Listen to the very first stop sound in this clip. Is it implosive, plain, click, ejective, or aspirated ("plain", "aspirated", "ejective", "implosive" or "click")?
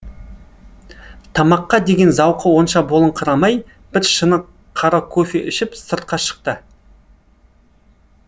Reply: aspirated